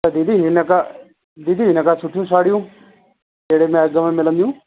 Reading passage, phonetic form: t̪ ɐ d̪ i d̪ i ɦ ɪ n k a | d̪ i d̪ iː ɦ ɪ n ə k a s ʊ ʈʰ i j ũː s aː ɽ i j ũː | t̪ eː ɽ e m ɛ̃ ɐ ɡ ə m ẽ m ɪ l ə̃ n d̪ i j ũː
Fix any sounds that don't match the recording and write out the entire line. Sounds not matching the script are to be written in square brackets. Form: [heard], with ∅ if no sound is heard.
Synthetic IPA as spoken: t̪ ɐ d̪ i d̪ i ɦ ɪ n k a | d̪ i d̪ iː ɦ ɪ n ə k a s ʊ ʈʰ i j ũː s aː ɽ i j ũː | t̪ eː ɽ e m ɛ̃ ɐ ɡ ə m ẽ m ɪ l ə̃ n d̪ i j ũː